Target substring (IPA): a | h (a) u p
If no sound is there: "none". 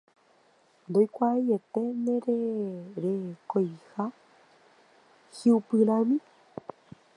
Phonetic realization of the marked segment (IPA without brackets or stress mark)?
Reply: i